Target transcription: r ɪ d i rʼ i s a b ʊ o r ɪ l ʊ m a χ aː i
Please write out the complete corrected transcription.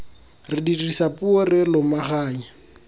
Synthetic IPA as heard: r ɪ d i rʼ i s a p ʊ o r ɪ l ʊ m a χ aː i